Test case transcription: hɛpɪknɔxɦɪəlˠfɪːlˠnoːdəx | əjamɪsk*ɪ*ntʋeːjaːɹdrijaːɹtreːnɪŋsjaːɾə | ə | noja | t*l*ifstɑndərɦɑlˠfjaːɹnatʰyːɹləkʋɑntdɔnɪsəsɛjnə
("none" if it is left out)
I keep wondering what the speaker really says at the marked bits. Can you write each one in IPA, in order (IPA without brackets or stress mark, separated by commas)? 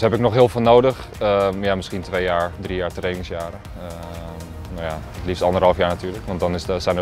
i, l